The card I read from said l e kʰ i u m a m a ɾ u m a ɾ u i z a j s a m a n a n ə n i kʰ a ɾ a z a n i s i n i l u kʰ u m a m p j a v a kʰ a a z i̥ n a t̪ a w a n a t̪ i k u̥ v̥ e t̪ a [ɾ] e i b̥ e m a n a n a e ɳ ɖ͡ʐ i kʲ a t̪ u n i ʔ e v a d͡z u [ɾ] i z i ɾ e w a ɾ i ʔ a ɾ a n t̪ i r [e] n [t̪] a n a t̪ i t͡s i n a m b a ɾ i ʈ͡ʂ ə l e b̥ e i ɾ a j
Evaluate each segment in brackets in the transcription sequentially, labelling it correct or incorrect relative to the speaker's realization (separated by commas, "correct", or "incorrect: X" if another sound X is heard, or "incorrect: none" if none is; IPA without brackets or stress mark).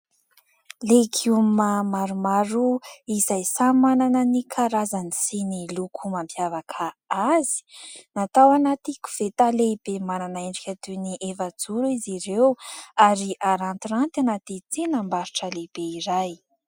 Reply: incorrect: l, correct, incorrect: a, correct